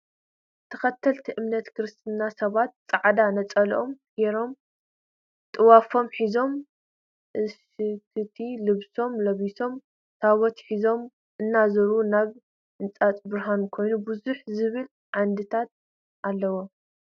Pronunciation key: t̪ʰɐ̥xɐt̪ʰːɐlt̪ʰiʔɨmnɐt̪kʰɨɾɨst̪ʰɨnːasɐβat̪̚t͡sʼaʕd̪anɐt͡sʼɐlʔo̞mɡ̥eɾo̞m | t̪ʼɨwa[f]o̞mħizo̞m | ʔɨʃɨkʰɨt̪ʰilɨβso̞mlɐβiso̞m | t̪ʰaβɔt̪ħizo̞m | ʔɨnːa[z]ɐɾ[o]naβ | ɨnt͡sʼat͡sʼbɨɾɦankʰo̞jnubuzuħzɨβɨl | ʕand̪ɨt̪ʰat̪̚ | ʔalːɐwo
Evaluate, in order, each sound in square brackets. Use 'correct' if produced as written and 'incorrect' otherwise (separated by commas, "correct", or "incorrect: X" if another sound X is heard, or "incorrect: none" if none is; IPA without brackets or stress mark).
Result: correct, correct, incorrect: u